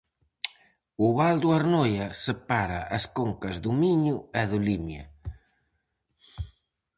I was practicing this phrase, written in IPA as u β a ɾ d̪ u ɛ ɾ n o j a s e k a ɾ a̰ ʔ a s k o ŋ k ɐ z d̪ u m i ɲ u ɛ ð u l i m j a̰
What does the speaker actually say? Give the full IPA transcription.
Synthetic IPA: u β a l d̪ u a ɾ n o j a s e p a ɾ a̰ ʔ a s k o ŋ k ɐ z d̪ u m i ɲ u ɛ ð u l i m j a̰